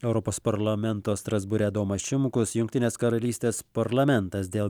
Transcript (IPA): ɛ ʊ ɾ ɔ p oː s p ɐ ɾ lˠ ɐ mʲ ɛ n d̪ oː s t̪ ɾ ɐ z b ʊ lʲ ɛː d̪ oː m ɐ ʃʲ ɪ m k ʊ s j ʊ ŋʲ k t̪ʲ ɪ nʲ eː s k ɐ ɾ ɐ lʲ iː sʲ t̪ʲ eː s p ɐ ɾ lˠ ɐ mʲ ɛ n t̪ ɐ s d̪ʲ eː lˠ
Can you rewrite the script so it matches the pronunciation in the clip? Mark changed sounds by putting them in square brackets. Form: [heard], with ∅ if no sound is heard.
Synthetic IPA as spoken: ɛ ʊ ɾ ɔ p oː s p ɐ ɾ lˠ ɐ mʲ ɛ n [t̪] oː s t̪ ɾ ɐ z b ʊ [ɾʲ] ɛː d̪ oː m ɐ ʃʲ ɪ m k ʊ s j ʊ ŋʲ k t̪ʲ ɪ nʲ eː s k ɐ ɾ ɐ lʲ iː sʲ t̪ʲ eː s p ɐ ɾ lˠ ɐ mʲ ɛ n t̪ ɐ s d̪ʲ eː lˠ